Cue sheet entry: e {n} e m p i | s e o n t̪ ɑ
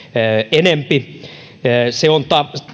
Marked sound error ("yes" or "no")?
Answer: no